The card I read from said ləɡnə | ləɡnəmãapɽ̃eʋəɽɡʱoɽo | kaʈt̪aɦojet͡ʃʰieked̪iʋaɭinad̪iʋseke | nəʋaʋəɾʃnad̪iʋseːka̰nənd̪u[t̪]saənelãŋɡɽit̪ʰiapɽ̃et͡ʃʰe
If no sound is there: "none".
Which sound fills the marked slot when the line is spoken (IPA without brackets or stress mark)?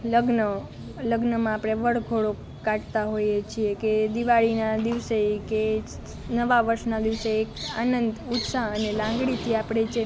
t̪